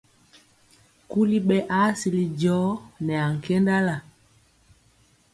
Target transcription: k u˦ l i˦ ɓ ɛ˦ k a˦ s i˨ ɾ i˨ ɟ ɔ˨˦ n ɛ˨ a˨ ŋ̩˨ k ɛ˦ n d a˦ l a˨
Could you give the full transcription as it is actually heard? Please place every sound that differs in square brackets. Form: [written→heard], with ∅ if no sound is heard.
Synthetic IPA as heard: k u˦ l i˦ ɓ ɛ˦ [k→ʔ] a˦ s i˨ [ɾ→l] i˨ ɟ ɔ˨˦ n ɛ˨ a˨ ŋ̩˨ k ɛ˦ n d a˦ l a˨